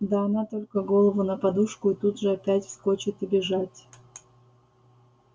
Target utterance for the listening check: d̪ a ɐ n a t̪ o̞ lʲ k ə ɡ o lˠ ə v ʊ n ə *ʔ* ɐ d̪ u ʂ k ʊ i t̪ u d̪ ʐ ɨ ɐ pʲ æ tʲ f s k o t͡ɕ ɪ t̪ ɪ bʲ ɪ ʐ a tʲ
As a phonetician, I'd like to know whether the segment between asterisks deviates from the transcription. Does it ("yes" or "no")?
yes